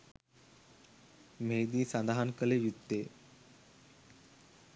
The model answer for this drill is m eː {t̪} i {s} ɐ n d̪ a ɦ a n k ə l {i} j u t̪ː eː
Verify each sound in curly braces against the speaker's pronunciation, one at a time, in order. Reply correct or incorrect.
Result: incorrect: d̪, correct, incorrect: e

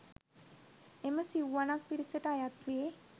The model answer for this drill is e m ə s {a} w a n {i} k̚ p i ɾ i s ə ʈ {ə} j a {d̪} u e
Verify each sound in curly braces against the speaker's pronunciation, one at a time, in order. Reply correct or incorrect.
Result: incorrect: i, incorrect: a, incorrect: a, incorrect: t̪

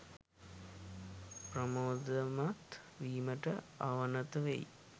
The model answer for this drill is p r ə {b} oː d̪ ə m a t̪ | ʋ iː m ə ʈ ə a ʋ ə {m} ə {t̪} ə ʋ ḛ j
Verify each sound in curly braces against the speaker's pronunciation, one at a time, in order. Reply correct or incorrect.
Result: incorrect: m, incorrect: n, correct

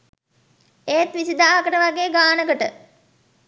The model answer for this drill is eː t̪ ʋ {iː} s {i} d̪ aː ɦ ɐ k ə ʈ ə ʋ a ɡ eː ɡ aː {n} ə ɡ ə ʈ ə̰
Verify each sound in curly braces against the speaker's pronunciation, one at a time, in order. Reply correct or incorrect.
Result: incorrect: i, correct, correct

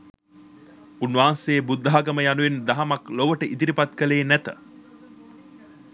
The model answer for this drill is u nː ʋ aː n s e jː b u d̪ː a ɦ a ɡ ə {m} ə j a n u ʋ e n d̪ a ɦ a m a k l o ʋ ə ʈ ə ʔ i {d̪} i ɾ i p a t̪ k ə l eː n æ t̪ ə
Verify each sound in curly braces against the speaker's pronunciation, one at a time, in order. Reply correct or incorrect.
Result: correct, incorrect: t̪

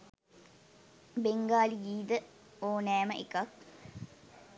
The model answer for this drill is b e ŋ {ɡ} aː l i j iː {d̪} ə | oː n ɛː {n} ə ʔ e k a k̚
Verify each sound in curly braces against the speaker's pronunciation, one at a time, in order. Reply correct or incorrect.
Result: correct, correct, incorrect: m

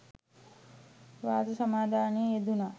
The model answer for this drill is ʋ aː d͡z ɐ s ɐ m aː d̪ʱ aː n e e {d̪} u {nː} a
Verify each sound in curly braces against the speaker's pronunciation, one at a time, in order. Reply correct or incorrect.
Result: correct, incorrect: n

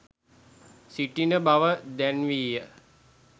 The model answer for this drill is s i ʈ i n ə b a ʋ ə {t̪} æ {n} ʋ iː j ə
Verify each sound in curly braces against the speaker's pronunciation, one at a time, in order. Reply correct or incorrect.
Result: incorrect: d̪, correct

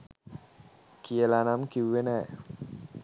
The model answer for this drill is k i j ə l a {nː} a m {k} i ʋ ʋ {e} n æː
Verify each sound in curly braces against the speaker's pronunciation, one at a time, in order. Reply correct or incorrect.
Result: incorrect: n, correct, correct

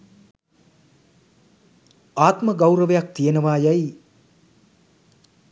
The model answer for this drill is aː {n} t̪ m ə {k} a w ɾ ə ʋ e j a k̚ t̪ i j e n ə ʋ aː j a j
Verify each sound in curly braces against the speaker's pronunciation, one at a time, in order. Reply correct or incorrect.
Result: incorrect: none, incorrect: ɡ

